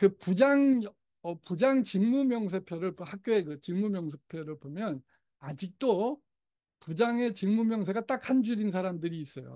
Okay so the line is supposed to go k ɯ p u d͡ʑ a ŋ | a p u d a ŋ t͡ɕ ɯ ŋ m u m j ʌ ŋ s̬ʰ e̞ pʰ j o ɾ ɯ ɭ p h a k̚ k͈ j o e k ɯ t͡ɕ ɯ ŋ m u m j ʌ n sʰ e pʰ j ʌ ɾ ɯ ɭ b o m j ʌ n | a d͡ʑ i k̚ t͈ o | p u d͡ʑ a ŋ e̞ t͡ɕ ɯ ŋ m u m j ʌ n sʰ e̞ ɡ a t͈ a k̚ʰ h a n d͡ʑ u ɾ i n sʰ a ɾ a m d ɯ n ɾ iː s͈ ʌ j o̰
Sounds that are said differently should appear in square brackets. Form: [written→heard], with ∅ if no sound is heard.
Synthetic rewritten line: k ɯ p u d͡ʑ a ŋ | [a→ʌ] p u [d→d͡ʑ] a ŋ t͡ɕ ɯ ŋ m u m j ʌ ŋ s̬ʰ e̞ pʰ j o ɾ ɯ ɭ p h a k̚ k͈ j o e k ɯ t͡ɕ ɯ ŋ m u m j ʌ [n→ŋ] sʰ e pʰ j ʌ ɾ ɯ ɭ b o m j ʌ n | a d͡ʑ i k̚ t͈ o | p u d͡ʑ a ŋ e̞ t͡ɕ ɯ ŋ m u m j ʌ [n→ŋ] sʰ e̞ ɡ a t͈ a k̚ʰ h a n d͡ʑ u ɾ i n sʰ a ɾ a m d ɯ [n→∅] ɾ iː s͈ ʌ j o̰